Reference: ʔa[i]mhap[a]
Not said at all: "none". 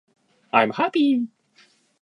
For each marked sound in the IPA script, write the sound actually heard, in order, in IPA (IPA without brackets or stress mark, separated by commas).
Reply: j, i